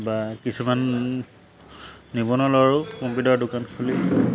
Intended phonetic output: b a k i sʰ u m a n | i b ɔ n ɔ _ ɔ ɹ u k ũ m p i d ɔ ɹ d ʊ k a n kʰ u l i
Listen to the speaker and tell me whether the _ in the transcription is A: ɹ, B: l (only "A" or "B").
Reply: B